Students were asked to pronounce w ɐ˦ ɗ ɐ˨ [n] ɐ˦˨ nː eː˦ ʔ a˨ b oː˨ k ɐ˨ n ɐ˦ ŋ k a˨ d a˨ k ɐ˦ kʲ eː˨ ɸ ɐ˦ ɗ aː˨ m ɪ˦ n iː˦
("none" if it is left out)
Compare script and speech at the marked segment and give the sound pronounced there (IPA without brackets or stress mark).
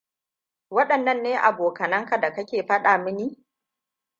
nː